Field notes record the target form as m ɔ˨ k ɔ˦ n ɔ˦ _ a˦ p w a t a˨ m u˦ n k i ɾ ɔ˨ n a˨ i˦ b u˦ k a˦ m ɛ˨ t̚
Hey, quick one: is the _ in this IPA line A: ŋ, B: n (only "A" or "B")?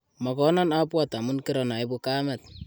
B